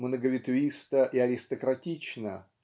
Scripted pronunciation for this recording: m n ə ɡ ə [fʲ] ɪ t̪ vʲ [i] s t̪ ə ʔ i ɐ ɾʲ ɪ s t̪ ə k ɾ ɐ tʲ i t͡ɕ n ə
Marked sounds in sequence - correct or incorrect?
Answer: incorrect: vʲ, correct

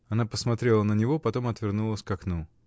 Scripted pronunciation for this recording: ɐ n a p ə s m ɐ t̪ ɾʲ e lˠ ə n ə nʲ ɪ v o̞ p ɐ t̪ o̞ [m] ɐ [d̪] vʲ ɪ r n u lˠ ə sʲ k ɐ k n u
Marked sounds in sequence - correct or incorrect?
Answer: correct, incorrect: t̪

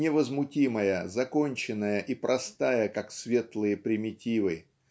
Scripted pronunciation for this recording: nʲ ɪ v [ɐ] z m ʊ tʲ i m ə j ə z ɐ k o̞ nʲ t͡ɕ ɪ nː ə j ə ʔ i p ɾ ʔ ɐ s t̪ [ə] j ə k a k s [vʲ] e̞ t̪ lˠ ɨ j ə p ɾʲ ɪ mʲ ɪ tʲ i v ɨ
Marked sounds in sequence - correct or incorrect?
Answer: incorrect: ə, incorrect: a, correct

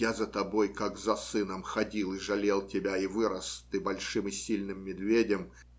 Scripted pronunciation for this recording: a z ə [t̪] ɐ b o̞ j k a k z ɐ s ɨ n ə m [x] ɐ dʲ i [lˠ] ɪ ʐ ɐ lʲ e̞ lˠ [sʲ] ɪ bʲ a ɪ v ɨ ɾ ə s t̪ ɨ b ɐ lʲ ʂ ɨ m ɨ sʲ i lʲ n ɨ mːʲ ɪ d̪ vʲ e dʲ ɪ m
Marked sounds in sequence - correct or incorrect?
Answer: correct, correct, correct, incorrect: tʲ

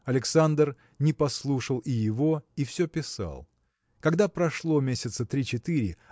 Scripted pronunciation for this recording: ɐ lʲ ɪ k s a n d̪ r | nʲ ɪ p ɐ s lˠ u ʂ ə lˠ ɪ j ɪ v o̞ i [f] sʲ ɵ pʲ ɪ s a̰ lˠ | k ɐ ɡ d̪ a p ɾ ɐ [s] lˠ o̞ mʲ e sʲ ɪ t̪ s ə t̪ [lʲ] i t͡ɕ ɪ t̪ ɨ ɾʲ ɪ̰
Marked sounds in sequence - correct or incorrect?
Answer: correct, incorrect: ʂ, incorrect: ɾʲ

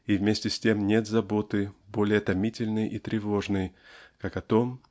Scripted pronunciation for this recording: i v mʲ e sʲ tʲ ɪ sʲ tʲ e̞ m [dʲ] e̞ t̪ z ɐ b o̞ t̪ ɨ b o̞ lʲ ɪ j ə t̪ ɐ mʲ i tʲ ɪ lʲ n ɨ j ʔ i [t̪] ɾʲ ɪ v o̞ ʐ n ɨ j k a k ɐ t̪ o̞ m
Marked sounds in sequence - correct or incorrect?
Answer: incorrect: nʲ, correct

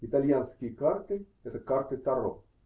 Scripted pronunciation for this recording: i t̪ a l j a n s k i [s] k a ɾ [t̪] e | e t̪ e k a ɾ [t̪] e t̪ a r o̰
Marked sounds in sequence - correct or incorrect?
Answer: incorrect: none, correct, correct

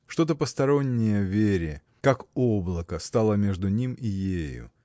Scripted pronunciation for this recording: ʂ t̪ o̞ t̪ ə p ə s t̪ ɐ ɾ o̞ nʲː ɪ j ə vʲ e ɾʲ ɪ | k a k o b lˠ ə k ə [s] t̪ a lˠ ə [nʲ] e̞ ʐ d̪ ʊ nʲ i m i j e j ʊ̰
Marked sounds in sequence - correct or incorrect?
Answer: correct, incorrect: mʲ

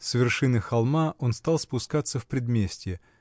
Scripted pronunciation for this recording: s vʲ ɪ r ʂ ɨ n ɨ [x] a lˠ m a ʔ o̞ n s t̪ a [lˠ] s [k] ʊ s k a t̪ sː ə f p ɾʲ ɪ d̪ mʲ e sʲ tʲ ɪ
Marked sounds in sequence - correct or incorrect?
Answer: correct, correct, incorrect: p

